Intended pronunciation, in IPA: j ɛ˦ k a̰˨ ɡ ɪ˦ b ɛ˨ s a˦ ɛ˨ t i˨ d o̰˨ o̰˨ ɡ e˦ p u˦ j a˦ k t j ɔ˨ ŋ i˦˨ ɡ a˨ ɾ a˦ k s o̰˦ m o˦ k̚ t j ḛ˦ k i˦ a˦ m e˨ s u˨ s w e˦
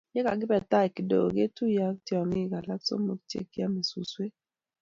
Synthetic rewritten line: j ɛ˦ k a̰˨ ɡ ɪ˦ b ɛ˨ t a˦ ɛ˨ k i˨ d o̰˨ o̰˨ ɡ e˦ t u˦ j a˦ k t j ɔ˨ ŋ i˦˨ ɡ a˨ l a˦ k s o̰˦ m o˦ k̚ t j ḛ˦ k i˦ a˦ m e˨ s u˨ s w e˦